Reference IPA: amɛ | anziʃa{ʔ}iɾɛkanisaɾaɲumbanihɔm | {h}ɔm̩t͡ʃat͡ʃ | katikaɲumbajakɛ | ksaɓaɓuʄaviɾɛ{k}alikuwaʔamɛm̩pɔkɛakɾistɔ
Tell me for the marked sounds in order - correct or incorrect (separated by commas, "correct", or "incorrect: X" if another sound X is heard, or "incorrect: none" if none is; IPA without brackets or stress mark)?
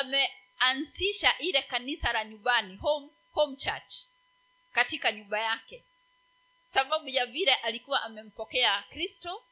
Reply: correct, correct, incorrect: ʔ